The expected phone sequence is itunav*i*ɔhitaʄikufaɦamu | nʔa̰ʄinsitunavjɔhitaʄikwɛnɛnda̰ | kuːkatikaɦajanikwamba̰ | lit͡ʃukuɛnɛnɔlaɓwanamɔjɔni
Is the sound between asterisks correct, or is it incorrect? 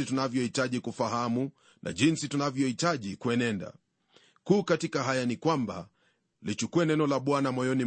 incorrect